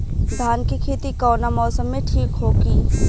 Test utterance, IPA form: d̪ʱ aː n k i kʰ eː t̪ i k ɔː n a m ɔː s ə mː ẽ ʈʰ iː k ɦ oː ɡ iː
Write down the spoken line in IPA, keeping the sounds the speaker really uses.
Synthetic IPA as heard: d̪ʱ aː n k i kʰ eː t̪ i k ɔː n a m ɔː s ə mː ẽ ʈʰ iː k ɦ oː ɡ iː